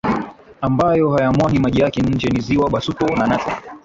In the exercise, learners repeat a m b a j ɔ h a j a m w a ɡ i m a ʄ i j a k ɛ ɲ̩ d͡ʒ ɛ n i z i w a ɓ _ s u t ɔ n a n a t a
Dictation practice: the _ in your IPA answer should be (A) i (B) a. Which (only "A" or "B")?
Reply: B